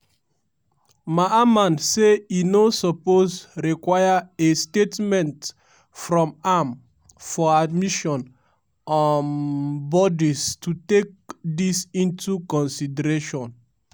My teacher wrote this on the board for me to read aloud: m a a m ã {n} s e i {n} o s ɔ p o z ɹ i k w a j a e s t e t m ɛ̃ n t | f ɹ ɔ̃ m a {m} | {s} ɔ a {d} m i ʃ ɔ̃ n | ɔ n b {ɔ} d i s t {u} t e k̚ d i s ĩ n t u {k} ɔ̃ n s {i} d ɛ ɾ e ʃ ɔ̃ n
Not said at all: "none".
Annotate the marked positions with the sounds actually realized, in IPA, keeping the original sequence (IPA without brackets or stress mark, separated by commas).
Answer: n, n, m, f, d, ɔ, u, k, i